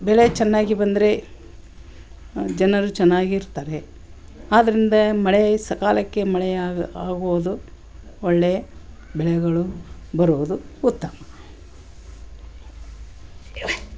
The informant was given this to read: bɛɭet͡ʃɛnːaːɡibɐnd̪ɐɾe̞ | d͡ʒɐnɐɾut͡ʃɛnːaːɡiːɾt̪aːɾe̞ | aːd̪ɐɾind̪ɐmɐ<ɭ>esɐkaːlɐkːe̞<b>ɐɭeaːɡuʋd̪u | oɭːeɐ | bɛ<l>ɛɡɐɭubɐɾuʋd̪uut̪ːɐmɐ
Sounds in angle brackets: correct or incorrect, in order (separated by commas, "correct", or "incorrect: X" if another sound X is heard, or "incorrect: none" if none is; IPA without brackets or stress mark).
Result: correct, incorrect: m, incorrect: ɭ